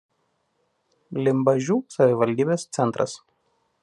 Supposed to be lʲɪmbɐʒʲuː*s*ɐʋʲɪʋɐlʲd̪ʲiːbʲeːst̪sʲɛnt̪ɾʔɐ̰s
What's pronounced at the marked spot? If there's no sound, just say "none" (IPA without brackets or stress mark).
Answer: s